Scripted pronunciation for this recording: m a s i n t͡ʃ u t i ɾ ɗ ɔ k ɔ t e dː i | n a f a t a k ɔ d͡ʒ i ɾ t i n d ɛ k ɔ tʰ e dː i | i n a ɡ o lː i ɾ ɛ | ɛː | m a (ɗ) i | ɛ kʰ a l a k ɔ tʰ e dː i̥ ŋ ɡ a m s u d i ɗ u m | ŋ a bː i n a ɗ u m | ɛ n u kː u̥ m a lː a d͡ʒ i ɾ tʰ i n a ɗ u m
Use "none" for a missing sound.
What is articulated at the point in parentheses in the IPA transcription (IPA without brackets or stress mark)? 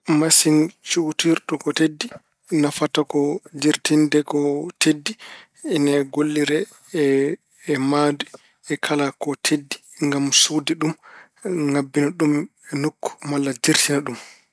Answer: d